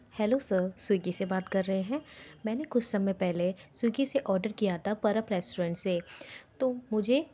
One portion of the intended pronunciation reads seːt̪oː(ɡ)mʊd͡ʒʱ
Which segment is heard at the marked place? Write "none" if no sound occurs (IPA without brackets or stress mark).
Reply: none